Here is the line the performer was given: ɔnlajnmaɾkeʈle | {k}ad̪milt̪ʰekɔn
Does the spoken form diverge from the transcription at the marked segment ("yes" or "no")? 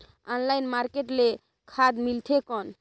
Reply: yes